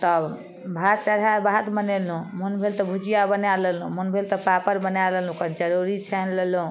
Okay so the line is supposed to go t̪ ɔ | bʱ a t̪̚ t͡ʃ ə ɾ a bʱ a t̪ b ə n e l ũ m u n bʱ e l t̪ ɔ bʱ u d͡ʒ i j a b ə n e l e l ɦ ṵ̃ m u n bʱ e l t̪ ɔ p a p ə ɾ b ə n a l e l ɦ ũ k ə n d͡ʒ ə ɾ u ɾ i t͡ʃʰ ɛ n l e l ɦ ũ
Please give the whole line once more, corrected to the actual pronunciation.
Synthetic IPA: t̪ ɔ | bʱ a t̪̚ t͡ʃ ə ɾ a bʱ a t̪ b ə n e l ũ m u n bʱ e l t̪ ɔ bʱ u d͡ʒ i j a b ə n a l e l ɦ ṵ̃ m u n bʱ e l t̪ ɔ p a p ə ɾ b ə n a l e l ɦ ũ k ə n d͡ʒ ə ɾ u ɾ i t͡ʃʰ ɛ n l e l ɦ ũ